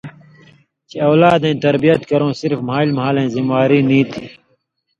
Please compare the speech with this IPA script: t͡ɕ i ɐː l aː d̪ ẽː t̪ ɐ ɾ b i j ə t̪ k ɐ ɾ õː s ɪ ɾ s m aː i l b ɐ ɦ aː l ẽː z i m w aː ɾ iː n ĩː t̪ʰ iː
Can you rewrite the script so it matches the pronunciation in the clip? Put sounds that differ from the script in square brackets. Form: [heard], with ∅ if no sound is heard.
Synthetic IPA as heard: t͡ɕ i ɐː l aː d̪ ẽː t̪ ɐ ɾ b i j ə t̪ k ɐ ɾ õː s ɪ ɾ [f] m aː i l [m] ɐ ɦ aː l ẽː z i m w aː ɾ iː n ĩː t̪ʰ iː